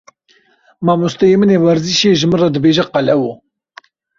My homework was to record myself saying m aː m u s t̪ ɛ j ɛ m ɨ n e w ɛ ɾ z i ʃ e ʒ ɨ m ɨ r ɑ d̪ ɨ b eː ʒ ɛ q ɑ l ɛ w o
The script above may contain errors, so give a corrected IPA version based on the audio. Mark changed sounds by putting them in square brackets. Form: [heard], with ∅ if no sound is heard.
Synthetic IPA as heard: m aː m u s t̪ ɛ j [e] m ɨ n e w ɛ ɾ z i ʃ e ʒ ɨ m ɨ r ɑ d̪ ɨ b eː ʒ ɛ q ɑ l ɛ w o